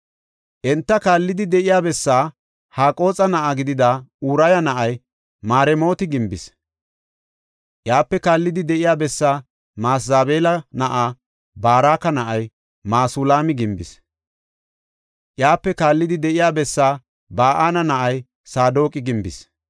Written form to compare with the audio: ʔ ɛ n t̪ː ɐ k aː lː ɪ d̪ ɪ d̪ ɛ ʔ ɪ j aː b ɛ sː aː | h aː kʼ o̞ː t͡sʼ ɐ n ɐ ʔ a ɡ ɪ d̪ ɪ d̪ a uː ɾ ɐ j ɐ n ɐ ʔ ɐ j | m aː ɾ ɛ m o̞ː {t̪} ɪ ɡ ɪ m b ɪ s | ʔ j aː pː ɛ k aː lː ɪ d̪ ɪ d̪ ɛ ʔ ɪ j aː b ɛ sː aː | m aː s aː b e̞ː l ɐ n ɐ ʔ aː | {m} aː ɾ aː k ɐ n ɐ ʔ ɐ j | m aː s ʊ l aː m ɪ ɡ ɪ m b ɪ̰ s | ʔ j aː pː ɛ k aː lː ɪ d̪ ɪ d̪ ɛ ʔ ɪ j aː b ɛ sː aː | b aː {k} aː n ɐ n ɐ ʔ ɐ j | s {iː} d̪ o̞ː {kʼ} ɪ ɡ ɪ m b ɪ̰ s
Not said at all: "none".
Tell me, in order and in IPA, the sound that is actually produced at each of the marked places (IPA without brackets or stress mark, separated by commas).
t̪, b, ʔ, aː, kʼ